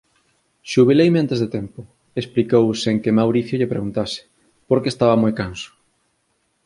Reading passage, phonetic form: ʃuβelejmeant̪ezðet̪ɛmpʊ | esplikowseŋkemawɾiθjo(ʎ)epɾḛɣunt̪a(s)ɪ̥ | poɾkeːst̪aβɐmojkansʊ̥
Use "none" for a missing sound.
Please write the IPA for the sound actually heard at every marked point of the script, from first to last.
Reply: ʎ, s

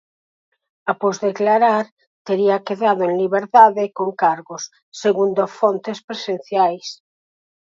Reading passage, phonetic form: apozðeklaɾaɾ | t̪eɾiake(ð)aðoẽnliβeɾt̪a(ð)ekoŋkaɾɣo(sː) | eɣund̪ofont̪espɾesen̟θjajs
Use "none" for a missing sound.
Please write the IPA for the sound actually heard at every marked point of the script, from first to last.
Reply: ð, ð, sː

